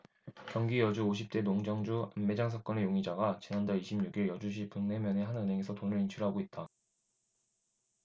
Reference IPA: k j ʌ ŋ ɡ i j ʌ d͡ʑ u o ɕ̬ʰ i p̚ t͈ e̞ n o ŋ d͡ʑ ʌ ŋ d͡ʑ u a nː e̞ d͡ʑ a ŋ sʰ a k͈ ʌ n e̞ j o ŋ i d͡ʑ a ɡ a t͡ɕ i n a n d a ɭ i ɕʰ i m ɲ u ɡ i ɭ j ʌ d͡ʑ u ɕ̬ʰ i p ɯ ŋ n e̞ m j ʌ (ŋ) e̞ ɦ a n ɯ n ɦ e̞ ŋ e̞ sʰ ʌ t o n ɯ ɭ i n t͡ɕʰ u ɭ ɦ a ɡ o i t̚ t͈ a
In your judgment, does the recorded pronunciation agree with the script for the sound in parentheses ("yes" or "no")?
no